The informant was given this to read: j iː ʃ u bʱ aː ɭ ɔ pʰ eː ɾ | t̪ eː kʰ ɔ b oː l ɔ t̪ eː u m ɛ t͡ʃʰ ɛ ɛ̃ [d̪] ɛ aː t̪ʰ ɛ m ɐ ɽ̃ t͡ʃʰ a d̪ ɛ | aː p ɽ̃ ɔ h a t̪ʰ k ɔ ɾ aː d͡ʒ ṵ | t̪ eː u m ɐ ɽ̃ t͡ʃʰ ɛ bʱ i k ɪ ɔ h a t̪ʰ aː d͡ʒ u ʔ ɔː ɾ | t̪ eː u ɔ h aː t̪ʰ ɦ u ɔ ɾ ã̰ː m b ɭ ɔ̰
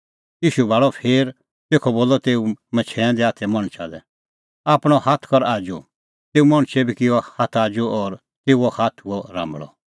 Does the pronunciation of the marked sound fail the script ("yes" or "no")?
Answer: no